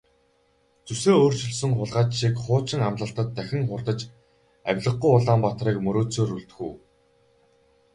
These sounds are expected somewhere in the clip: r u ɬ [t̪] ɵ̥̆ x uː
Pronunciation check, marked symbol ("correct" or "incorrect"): correct